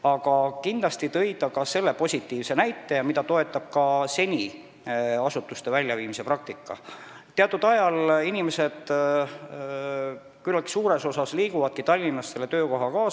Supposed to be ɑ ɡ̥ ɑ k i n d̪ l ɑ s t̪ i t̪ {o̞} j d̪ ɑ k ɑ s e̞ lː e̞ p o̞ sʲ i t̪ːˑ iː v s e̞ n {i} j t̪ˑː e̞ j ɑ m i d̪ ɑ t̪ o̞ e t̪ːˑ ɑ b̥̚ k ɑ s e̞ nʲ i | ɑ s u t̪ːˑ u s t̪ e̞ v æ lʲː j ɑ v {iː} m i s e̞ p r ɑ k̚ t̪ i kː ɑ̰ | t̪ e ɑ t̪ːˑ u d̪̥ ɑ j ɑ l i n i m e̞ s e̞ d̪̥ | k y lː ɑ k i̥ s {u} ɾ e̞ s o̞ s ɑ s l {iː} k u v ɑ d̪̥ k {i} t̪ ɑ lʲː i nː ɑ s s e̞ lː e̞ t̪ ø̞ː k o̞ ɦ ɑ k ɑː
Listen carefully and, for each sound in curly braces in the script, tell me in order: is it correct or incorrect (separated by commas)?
incorrect, incorrect, correct, incorrect, correct, correct